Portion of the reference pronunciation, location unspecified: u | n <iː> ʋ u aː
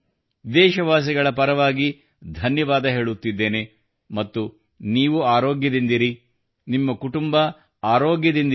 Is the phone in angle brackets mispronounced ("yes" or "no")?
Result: no